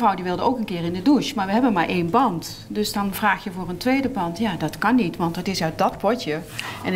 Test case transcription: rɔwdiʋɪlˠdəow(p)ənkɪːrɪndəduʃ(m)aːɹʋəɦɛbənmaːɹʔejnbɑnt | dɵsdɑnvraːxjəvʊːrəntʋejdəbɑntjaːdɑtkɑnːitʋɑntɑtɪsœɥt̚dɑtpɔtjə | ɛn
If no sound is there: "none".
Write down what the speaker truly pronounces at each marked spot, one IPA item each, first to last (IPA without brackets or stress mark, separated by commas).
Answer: k, m